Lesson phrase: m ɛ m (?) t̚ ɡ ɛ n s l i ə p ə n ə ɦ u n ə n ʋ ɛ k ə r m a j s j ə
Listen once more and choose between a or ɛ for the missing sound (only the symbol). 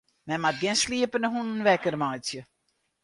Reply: a